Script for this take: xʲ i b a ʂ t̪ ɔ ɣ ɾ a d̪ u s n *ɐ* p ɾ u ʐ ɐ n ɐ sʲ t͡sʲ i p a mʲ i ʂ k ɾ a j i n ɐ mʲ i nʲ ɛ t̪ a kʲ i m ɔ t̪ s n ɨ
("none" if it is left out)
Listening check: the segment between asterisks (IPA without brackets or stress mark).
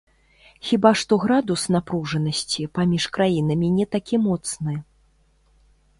a